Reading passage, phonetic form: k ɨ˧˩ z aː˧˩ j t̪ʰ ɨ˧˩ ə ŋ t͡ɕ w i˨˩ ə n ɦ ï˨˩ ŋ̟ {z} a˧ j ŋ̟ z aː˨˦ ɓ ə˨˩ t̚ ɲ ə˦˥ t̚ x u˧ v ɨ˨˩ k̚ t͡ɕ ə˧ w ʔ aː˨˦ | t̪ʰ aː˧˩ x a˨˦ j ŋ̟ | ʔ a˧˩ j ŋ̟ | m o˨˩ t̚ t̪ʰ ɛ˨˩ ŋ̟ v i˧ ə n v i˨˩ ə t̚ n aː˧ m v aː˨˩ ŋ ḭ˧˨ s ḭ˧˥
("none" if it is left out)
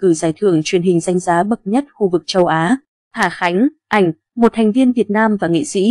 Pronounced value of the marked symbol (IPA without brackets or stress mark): z